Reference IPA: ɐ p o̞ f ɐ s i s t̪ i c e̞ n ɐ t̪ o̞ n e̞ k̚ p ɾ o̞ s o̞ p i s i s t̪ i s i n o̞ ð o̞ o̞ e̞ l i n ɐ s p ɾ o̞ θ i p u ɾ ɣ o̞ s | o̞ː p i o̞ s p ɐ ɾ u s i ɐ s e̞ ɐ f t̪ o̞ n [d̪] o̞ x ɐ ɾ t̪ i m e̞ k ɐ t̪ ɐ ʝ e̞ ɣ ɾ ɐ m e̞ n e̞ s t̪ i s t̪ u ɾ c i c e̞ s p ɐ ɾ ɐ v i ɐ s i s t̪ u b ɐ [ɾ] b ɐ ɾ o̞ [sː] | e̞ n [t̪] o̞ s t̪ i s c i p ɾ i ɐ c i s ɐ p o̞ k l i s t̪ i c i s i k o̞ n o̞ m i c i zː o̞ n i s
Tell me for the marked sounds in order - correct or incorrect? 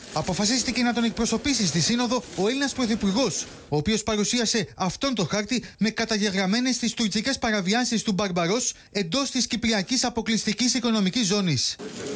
incorrect, correct, incorrect, incorrect

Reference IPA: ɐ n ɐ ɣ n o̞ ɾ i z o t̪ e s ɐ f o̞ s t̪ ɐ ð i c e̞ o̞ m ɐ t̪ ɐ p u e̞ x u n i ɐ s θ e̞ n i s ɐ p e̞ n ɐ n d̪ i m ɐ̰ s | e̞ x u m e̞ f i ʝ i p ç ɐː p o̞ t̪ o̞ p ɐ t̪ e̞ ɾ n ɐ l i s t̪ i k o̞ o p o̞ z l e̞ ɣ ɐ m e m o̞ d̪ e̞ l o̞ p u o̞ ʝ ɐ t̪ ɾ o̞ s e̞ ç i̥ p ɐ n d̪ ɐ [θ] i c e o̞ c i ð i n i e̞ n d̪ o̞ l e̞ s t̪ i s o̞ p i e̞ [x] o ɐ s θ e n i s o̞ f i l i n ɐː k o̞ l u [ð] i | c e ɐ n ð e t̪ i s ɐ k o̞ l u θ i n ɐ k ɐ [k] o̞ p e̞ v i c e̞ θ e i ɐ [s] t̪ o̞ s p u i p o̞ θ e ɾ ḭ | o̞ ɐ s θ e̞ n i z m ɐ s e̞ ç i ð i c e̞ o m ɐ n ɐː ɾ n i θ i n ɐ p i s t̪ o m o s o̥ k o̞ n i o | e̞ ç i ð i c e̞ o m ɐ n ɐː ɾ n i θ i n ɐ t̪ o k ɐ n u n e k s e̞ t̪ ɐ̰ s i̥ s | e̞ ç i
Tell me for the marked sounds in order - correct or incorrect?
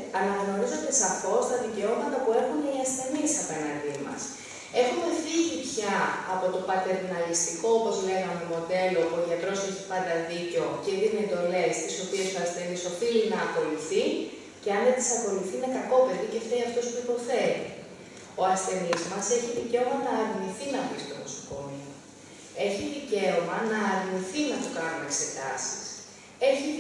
incorrect, incorrect, incorrect, correct, incorrect

